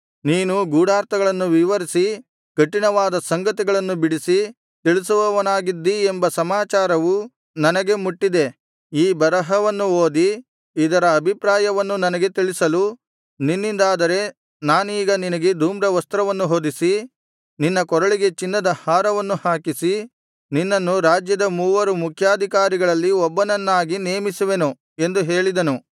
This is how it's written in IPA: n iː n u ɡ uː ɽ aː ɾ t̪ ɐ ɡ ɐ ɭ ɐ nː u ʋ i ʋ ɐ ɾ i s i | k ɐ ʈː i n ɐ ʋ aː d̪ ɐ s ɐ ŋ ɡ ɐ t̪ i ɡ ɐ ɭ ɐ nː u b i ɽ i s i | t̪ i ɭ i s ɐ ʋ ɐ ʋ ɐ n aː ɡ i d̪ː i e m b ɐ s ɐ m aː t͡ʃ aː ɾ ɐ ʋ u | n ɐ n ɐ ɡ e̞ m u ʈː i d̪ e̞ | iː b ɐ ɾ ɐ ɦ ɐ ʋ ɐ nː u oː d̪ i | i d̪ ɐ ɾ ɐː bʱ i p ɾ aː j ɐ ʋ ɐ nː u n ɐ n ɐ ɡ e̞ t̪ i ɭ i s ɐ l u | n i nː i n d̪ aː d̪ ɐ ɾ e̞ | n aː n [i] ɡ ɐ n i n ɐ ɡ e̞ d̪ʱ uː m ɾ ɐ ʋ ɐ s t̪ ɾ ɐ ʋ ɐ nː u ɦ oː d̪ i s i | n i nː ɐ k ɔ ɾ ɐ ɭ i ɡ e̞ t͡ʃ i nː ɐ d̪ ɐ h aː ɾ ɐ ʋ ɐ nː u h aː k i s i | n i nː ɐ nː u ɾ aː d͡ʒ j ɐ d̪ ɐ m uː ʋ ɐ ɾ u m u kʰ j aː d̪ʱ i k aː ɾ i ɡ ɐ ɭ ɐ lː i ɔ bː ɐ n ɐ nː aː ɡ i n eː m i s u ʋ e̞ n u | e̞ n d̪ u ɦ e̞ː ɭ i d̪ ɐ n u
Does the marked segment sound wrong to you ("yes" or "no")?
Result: yes